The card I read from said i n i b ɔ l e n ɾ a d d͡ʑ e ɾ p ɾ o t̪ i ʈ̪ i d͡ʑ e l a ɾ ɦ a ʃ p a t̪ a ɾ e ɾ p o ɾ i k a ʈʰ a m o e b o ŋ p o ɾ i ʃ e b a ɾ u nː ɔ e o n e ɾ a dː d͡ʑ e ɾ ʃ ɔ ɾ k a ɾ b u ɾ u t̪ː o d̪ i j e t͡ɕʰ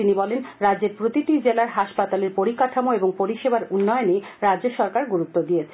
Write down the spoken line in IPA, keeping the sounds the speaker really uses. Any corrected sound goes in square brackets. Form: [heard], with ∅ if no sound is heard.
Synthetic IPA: i n i b ɔ l e n ɾ a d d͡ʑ e ɾ p ɾ o t̪ i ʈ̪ i d͡ʑ e l a ɾ ɦ a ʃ p a t̪ a [l] e ɾ p o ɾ i k a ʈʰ a m o e b o ŋ p o ɾ i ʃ e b a ɾ u nː ɔ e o n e ɾ a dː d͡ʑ e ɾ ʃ ɔ ɾ k a ɾ [ɡ] u ɾ u t̪ː o d̪ i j e t͡ɕʰ